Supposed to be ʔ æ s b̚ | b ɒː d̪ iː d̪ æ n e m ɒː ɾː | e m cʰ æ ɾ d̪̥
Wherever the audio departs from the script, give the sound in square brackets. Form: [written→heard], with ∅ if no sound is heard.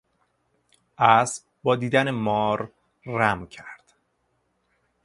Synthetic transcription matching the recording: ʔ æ s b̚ | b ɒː d̪ iː d̪ æ n e m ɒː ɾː | [e→æ] m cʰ æ ɾ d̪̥